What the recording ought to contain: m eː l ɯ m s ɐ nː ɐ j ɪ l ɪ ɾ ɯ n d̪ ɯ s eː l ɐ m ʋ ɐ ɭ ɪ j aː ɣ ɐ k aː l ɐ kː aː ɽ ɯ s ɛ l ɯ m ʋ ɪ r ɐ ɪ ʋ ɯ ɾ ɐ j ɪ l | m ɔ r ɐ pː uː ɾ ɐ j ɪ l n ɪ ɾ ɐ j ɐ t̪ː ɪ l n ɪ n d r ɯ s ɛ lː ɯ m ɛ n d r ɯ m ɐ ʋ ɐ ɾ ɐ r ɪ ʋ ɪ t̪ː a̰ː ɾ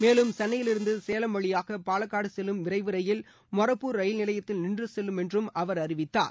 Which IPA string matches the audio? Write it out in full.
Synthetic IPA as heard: m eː l ɯ m s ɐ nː ɐ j ɪ l ɪ ɾ ɯ n d̪ ɯ s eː l ɐ m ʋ ɐ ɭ ɪ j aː ɣ ɐ p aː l ɐ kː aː ɽ ɯ s ɛ l ɯ m ʋ ɪ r ɐ ɪ ʋ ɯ ɾ ɐ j ɪ l | m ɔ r ɐ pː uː ɾ ɐ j ɪ l n ɪ l ɐ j ɐ t̪ː ɪ l n ɪ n d r ɯ s ɛ lː ɯ m ɛ n d r ɯ m ɐ ʋ ɐ ɾ ɐ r ɪ ʋ ɪ t̪ː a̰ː ɾ